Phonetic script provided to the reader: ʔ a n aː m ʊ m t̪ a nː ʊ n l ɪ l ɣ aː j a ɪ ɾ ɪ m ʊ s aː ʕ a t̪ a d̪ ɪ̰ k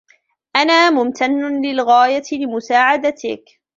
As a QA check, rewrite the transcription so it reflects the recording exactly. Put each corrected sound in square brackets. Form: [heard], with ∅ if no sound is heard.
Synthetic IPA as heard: ʔ a n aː m ʊ m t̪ a nː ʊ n l ɪ l ɣ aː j a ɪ [l] ɪ m ʊ s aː ʕ a [d̪] a [t̪] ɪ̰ k